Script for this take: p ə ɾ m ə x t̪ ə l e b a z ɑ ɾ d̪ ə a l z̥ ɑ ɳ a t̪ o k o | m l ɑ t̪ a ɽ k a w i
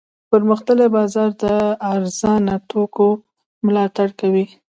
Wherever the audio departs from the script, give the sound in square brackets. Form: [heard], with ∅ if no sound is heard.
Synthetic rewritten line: p ə ɾ m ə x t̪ ə l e b [ɑ] z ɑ ɾ d̪ ə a [ɾ] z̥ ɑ [n] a t̪ o k o | m l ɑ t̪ a ɽ k a w i